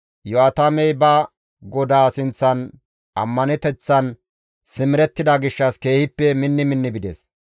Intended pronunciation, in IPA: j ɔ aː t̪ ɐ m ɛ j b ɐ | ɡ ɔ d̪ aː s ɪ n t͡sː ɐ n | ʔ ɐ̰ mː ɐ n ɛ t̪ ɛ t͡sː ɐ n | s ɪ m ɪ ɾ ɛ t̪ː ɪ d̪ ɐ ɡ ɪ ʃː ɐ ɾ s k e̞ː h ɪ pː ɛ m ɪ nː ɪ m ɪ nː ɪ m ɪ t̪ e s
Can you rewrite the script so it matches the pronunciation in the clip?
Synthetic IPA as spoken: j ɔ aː t̪ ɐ m ɛ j b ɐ | ɡ ɔ d̪ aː s ɪ n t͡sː ɐ n | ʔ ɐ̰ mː ɐ n ɛ t̪ ɛ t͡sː ɐ n | s ɪ m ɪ ɾ ɛ t̪ː ɪ d̪ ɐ ɡ ɪ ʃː ɐ s k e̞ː h ɪ pː ɛ m ɪ nː ɪ m ɪ nː ɪ b ɪ d̪ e s